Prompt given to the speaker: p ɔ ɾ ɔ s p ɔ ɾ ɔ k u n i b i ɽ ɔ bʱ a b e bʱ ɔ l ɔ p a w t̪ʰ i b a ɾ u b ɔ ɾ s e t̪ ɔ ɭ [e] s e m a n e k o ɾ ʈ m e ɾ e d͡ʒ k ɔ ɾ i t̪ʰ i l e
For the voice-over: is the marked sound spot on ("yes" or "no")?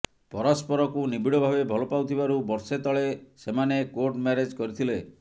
yes